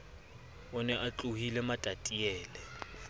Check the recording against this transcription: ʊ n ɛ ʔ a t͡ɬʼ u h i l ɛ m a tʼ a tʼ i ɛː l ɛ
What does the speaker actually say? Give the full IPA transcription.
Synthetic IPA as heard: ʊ n ɛ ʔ a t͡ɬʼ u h i l ɛ m a tʼ a tʼ i ɛː l ɛ

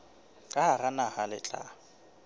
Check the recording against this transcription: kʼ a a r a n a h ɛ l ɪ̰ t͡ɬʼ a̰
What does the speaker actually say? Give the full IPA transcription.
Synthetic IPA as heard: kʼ a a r a n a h a l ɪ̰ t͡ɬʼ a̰

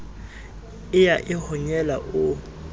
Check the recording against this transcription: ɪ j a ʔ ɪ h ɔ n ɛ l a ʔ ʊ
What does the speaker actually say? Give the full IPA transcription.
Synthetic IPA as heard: ɪ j a ʔ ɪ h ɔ ɲ ɛ l a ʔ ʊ

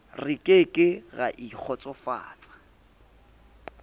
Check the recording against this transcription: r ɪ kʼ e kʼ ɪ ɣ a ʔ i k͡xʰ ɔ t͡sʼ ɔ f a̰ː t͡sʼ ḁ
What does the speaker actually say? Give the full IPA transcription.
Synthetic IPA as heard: r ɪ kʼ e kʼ ɪ ɣ a ʔ i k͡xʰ ɔ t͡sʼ ɔ f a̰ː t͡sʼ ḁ

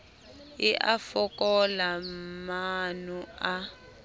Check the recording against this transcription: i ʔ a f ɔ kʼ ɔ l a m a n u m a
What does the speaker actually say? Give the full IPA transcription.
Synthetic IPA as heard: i ʔ a f ɔ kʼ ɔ l a m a n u a

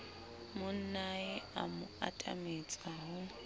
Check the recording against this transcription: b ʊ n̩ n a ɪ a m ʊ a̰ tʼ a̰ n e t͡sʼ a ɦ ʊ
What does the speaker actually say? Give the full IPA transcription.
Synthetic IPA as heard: m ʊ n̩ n a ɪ a m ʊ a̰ tʼ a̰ m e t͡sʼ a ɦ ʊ

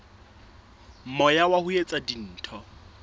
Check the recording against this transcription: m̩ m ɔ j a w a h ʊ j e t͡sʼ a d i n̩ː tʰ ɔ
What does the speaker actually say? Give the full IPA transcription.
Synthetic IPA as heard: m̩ m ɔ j a w a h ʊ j e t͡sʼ a d i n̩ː tʰ ɔ

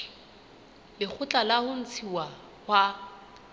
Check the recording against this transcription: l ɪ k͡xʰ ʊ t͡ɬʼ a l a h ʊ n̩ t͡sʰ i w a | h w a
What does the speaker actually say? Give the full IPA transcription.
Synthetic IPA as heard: l ɪ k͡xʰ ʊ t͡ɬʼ a l a h ʊ n̩ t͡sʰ i w a | h w a

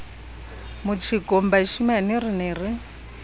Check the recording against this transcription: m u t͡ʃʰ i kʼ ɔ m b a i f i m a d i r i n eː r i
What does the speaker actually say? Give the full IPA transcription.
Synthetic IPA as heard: m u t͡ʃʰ i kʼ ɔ m b a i ʃ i m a n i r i n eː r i

